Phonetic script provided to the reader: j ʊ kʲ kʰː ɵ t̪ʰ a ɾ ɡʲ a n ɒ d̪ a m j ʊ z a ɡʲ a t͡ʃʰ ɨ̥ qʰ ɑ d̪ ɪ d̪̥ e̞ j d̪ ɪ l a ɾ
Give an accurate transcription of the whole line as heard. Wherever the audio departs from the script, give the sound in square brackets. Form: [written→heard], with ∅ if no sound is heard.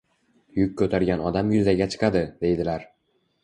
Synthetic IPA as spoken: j ʊ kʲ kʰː ɵ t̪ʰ a ɾ ɡʲ a n ɒ d̪ a m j ʊ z a ɡʲ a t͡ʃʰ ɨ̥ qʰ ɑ d̪ ɪ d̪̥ e̞ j d̪ ɪ l a ɾ

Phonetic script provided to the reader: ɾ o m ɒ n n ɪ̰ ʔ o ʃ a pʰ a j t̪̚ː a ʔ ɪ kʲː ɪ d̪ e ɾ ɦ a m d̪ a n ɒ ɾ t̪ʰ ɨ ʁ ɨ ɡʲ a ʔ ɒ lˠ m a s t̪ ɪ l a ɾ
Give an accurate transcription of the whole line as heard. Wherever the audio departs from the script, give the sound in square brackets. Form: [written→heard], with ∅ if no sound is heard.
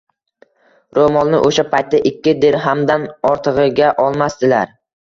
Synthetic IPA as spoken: ɾ o m ɒ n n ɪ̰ ʔ o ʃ a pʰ a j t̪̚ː a ʔ ɪ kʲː ɪ d̪ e ɾ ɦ a m d̪ a n ɒ ɾ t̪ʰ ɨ ʁ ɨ ɡʲ a ʔ ɒ lˠ m a s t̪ ɪ l a ɾ

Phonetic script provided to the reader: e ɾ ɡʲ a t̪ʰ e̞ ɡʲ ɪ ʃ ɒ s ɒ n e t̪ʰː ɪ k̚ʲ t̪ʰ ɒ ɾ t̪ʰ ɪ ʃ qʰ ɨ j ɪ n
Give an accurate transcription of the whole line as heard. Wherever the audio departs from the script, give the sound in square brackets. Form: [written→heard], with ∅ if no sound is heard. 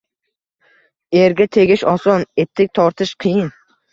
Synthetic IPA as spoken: e ɾ ɡʲ a t̪ʰ e̞ ɡʲ ɪ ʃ ɒ s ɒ n e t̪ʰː ɪ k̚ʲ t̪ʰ ɒ ɾ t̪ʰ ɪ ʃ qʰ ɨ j ɪ n

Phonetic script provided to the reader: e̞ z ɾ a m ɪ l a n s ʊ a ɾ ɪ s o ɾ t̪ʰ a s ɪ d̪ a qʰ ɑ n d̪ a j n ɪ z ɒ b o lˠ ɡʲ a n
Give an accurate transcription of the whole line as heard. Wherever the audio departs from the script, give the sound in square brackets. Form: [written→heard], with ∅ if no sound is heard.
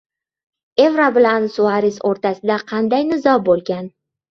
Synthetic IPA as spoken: e̞ [z→v] ɾ a [m→b] ɪ l a n s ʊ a ɾ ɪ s o ɾ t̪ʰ a s ɪ d̪ a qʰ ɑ n d̪ a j n ɪ z ɒ b o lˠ ɡʲ a n

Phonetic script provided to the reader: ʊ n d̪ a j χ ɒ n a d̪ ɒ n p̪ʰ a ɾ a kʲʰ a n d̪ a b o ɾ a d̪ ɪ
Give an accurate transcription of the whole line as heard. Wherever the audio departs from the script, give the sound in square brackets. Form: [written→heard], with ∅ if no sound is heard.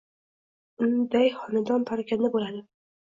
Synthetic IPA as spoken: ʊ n d̪ a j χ ɒ n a d̪ ɒ n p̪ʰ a ɾ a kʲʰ a n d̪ a b o [ɾ→l] a d̪ ɪ

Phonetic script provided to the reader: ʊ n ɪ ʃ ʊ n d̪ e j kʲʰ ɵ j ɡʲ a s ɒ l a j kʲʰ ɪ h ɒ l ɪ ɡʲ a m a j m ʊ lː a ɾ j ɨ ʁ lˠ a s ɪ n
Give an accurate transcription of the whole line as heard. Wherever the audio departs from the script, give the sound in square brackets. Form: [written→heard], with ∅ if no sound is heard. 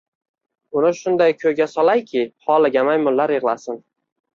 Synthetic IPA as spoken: ʊ n ɪ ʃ ʊ n d̪ [e→a] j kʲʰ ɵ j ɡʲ a s ɒ l a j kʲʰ ɪ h ɒ l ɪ ɡʲ a m a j m ʊ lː a ɾ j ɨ ʁ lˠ a s ɪ n

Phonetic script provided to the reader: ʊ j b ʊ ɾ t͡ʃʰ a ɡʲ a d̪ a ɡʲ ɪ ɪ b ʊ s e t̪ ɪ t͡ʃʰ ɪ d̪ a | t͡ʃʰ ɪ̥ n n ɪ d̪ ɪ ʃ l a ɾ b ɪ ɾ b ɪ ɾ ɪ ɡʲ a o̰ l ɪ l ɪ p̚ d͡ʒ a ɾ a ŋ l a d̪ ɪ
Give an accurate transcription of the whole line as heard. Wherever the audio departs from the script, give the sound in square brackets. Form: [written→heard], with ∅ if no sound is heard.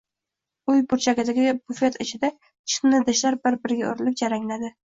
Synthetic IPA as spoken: ʊ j b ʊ ɾ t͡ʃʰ a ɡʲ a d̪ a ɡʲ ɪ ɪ b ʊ [s→f] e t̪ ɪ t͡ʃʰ ɪ d̪ a | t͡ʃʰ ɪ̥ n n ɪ d̪ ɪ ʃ l a ɾ b ɪ ɾ b ɪ ɾ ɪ ɡʲ a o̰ [l→ɾ] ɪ l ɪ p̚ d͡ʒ a ɾ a ŋ l a d̪ ɪ

